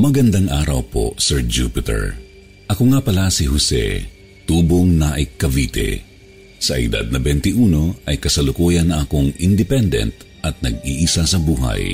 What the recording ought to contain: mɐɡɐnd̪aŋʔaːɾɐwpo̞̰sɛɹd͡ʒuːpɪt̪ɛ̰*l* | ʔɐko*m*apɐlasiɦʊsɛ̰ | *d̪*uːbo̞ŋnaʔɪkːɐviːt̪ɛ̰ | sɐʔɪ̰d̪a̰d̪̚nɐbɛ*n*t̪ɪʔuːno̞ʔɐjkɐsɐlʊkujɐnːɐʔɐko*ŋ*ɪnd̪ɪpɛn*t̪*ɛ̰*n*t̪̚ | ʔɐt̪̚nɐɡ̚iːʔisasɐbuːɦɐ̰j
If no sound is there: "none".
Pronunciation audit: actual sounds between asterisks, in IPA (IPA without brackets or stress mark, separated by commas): ɹ, ŋ, t̪, n, ŋ, d̪, n